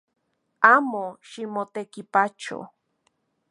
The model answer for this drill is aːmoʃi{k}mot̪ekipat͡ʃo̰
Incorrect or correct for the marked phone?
incorrect: none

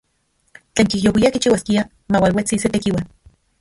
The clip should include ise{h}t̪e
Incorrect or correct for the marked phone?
incorrect: none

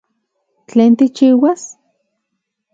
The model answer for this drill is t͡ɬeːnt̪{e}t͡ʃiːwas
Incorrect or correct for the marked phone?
incorrect: i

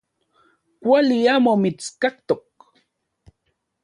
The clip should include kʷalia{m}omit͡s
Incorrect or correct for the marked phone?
correct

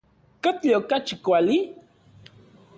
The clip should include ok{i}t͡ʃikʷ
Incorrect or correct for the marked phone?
incorrect: a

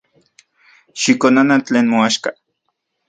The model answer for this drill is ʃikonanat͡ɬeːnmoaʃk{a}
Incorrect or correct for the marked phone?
correct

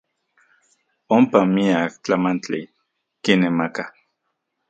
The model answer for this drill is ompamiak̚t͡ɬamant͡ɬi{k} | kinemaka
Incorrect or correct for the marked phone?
incorrect: none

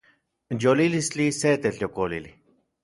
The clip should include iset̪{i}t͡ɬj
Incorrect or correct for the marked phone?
incorrect: e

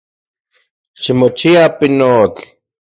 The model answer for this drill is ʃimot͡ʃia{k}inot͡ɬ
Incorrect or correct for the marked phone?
incorrect: p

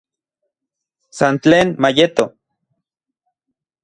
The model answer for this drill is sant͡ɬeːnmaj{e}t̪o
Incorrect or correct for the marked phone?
correct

